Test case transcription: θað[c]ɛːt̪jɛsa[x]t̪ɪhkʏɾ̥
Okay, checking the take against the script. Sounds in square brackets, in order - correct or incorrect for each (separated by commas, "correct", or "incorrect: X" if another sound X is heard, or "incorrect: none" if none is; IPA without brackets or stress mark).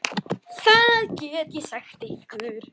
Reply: correct, correct